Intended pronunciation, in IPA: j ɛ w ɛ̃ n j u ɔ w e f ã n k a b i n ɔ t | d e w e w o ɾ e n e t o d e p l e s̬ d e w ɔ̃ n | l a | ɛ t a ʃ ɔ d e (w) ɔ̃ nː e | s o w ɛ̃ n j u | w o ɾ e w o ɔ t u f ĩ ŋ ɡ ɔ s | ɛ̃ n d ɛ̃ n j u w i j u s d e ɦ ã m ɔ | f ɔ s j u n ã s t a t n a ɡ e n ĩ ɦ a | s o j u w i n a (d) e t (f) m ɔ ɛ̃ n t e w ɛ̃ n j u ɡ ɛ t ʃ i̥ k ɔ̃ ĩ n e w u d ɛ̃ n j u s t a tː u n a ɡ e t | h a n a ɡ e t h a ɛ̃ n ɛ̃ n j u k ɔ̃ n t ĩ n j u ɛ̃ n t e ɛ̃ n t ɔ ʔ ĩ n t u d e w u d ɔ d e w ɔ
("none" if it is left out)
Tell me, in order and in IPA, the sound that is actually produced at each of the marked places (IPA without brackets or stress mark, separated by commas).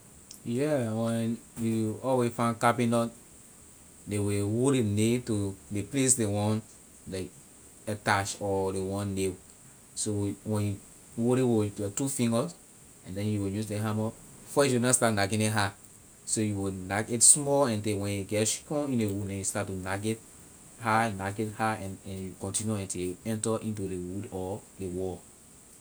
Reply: w, ɡ, s